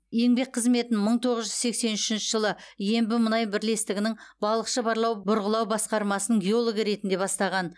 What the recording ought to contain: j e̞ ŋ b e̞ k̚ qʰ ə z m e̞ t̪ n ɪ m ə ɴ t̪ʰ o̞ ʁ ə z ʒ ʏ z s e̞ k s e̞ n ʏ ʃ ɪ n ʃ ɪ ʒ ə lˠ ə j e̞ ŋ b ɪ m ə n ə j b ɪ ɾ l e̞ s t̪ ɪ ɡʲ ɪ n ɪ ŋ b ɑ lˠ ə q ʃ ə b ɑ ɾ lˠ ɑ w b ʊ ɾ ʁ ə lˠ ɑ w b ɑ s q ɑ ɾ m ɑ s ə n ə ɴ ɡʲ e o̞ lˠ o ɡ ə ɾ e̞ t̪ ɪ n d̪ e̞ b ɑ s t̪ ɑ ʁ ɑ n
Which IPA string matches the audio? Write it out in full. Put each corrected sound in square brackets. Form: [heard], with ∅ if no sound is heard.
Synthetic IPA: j e̞ ŋ b e̞ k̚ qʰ ə z m e̞ t̪ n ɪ m ə ɴ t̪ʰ o̞ ʁ ə z ʒ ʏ z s e̞ k s e̞ n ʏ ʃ ɪ n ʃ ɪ ʒ ə lˠ ə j e̞ [m] b ɪ m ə n [ɑ] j b ɪ ɾ l e̞ s t̪ ɪ ɡʲ ɪ n ɪ ŋ b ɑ lˠ ə q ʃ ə b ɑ ɾ lˠ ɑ w b ʊ ɾ ʁ ə lˠ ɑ w b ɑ s q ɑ ɾ m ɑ s ə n ə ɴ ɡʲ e o̞ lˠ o ɡ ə ɾ e̞ t̪ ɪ n d̪ e̞ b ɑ s t̪ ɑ ʁ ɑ n